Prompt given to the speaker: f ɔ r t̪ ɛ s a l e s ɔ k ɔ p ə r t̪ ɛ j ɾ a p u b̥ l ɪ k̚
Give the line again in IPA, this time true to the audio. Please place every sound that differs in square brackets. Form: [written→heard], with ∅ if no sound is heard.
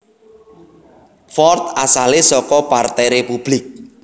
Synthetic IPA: f ɔ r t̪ [ɛ→a] s a l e s ɔ k ɔ p [ə→a] r t̪ ɛ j ɾ [a→e] p u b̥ l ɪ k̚